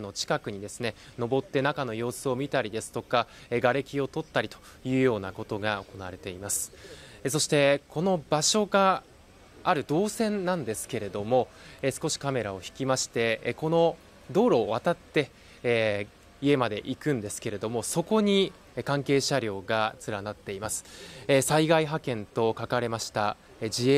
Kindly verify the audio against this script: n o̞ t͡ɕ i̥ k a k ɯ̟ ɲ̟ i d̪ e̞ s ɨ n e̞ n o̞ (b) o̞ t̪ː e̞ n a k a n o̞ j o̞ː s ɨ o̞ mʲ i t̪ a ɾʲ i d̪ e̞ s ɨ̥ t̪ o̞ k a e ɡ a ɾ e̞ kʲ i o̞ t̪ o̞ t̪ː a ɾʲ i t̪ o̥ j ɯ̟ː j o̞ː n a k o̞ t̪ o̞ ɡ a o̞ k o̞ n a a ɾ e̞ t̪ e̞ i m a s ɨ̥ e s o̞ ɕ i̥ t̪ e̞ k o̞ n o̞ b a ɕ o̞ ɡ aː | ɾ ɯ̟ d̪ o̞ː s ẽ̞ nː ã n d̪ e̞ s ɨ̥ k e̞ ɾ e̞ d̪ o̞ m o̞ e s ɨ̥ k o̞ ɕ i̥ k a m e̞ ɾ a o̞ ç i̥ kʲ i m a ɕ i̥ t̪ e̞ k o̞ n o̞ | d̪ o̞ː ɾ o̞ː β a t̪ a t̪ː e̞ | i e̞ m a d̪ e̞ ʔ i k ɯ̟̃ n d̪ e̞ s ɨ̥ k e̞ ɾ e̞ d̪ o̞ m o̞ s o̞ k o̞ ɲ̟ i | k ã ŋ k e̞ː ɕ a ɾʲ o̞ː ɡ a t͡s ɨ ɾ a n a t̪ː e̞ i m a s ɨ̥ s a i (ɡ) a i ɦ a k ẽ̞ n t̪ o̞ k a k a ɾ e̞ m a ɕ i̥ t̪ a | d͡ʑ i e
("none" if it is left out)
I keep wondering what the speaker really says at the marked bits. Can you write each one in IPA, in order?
b, ɡ

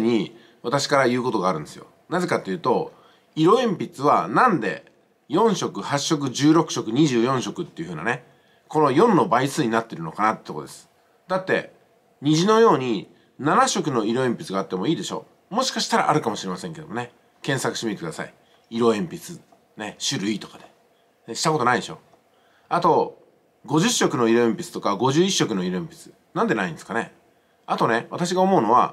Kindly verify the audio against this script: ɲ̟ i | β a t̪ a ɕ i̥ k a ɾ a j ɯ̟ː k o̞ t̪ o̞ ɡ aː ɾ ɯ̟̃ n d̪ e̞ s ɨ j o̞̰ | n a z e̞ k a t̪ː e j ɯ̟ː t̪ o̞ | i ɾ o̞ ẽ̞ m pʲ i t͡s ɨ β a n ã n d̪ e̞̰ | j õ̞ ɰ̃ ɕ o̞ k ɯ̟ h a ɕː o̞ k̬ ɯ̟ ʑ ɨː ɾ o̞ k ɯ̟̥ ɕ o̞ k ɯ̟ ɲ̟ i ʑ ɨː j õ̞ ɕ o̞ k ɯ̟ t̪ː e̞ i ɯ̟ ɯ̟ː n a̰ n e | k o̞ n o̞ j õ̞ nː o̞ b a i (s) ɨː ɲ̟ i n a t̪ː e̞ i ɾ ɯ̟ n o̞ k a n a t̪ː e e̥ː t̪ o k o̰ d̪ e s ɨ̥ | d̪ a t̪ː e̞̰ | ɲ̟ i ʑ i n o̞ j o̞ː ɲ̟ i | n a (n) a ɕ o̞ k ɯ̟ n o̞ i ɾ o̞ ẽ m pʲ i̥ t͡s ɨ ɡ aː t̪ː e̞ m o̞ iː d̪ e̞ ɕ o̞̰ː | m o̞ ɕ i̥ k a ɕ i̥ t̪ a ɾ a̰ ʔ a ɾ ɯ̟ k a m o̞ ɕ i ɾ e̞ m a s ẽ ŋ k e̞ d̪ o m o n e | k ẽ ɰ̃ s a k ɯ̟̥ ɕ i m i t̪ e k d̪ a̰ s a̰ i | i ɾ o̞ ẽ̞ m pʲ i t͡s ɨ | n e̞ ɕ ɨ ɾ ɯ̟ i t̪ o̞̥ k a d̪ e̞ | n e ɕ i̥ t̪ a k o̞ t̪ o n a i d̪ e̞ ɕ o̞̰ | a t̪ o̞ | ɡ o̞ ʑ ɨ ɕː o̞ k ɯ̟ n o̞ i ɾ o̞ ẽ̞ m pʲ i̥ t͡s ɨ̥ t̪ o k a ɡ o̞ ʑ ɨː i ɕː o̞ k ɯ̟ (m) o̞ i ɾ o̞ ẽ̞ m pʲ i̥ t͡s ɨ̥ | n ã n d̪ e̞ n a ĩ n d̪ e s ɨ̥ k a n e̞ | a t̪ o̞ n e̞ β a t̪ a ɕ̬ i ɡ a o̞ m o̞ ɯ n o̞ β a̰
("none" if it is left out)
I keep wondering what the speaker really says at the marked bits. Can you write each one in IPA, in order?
s, n, n

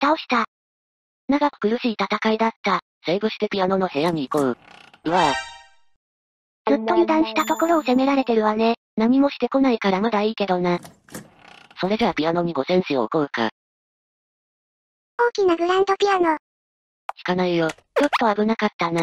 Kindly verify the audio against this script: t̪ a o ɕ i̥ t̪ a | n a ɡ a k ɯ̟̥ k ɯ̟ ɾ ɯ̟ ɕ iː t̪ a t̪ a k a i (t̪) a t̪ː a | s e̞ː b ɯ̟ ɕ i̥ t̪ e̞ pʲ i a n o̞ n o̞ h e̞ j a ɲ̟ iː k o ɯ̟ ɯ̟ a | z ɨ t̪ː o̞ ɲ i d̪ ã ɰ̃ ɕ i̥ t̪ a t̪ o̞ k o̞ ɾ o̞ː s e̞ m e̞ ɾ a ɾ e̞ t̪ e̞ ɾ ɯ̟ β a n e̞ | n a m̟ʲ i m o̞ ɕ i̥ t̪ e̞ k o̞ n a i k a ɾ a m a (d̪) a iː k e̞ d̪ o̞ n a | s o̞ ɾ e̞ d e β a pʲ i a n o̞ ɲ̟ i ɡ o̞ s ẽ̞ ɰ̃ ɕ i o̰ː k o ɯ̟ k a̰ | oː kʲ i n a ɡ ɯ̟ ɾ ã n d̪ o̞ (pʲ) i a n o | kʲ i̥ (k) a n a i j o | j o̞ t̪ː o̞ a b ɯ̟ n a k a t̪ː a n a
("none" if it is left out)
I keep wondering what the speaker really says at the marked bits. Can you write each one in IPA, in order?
d̪, d̪, pʲ, k

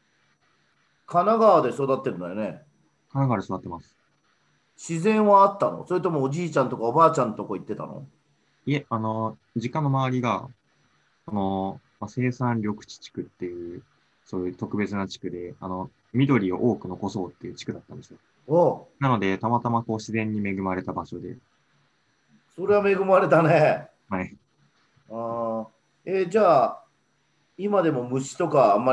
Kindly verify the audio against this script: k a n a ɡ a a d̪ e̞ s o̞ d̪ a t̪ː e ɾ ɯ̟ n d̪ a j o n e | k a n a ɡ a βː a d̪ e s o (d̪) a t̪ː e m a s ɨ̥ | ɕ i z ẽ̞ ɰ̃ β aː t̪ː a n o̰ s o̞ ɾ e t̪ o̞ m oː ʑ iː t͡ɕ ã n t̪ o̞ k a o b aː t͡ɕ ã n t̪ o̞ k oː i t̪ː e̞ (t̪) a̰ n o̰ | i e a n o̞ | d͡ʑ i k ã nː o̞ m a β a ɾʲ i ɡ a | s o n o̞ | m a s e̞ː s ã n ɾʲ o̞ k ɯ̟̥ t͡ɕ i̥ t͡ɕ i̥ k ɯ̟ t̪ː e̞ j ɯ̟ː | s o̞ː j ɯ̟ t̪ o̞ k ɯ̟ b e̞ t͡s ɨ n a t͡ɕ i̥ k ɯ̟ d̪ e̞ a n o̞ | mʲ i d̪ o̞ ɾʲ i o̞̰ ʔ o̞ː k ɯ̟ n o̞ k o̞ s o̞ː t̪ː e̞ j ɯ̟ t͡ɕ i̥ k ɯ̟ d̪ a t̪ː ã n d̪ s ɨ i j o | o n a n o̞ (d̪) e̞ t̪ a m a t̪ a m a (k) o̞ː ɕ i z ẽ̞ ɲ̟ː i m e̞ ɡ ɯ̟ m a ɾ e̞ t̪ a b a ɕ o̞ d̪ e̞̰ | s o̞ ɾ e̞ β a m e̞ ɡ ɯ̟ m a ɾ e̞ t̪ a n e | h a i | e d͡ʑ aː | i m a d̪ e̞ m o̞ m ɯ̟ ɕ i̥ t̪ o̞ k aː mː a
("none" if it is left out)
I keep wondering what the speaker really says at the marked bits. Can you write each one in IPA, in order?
d̪, t̪, d̪, k

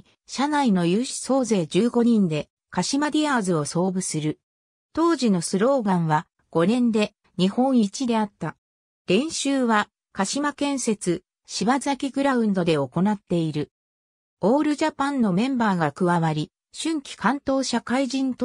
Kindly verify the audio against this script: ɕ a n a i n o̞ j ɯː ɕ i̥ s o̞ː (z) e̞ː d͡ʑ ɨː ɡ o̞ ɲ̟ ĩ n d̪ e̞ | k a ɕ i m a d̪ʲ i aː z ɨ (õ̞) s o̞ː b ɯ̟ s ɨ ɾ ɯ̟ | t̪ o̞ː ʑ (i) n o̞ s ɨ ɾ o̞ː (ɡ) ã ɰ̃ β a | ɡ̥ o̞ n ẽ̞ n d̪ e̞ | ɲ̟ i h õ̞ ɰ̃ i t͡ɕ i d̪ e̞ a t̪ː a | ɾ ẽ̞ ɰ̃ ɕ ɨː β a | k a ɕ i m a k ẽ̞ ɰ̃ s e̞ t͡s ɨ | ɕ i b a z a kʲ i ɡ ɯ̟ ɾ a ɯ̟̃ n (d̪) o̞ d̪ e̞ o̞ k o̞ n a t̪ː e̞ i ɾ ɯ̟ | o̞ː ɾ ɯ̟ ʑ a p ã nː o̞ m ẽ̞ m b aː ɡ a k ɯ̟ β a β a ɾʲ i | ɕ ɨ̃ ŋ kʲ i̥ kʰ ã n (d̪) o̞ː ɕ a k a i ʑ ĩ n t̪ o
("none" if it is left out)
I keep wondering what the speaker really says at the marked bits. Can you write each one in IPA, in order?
z, o̞, i, ɡ, d̪, t̪

